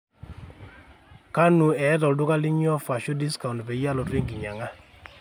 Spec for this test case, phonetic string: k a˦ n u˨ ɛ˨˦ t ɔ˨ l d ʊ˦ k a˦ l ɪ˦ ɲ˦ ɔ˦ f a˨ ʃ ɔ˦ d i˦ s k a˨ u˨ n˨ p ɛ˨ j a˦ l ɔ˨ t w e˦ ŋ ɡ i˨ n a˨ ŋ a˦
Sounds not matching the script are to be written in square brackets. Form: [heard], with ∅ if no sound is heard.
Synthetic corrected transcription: k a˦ n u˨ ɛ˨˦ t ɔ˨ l d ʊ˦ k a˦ l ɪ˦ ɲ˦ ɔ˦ f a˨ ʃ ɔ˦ d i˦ s k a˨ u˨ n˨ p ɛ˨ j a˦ l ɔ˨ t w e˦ ŋ ɡ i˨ [ɲ] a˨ ŋ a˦